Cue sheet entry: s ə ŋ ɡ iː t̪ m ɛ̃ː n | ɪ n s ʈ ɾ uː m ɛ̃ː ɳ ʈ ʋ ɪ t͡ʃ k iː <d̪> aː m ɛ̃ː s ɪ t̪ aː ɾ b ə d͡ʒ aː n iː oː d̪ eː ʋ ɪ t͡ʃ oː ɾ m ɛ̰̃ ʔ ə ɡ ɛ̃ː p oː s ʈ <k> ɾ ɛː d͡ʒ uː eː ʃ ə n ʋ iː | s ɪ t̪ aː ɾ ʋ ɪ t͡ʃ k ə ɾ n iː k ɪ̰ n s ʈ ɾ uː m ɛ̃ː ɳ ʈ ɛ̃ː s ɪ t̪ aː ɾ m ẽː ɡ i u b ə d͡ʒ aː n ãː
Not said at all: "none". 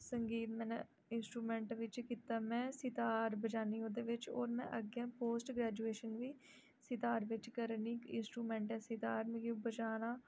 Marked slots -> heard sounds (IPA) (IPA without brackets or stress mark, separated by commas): t̪, ɡ